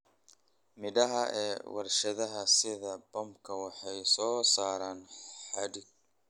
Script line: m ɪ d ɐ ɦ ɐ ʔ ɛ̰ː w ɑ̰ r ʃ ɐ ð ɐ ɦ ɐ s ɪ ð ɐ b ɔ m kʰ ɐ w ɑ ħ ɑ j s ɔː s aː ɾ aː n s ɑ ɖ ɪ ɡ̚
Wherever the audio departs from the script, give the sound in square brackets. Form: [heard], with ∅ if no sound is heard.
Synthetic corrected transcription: m ɪ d ɐ ɦ ɐ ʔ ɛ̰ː w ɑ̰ r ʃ ɐ ð ɐ ɦ ɐ s ɪ ð ɐ b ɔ m kʰ ɐ w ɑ ħ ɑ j s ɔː s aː ɾ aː n [ħ] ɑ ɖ ɪ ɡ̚